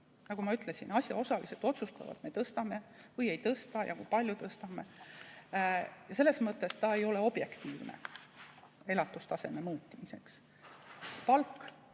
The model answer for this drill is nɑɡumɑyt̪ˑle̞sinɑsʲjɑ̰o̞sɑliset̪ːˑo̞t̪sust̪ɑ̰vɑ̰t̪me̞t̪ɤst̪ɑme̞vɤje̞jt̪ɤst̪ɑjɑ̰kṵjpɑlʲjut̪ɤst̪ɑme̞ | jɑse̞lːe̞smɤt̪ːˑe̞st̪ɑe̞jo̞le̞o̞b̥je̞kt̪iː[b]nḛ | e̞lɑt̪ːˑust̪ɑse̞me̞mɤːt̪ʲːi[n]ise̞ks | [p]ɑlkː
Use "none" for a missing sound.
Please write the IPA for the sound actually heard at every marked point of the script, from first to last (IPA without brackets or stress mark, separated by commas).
v, m, p